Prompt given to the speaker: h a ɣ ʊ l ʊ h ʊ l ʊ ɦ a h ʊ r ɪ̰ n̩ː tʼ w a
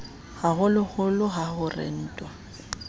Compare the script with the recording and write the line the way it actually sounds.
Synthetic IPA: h a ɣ ʊ l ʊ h ʊ l ʊ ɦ a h ʊ r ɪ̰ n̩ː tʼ w a